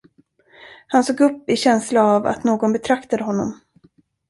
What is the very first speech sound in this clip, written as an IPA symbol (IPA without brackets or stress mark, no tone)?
h